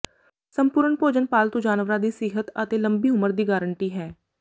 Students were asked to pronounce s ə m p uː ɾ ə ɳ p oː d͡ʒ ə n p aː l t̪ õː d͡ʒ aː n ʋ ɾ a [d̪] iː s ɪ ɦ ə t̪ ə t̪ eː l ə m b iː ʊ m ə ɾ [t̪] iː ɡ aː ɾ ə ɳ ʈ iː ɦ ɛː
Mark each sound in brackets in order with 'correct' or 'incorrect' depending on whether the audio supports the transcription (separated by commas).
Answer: correct, incorrect